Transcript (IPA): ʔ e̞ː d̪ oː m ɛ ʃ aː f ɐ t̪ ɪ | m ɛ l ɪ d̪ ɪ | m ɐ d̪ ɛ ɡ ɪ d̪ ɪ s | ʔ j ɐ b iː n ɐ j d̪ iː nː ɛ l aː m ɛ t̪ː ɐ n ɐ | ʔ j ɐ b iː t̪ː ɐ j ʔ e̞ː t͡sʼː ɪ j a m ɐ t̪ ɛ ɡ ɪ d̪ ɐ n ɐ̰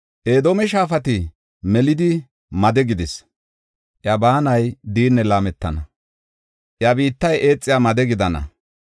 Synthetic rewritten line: ʔ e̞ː d̪ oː m ɛ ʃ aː f ɐ t̪ ɪ | m ɛ l ɪ d̪ ɪ | m ɐ d̪ ɛ ɡ ɪ d̪ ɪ s | ʔ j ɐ b aː n ɐ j d̪ iː nː ɛ l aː m ɛ t̪ː ɐ n ɐ | ʔ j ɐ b iː t̪ː ɐ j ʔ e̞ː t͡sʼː ɪ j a m ɐ d̪ ɛ ɡ ɪ d̪ ɐ n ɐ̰